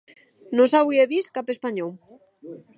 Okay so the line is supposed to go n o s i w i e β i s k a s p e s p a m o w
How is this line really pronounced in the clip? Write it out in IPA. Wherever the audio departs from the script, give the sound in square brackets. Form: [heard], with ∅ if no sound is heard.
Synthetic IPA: n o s [a] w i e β i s k a [∅] p e s p a [ɲ] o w